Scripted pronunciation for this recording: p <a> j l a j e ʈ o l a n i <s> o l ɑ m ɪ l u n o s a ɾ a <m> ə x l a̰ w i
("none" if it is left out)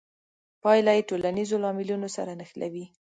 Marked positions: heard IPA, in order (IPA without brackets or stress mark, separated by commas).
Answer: ɑ, z, n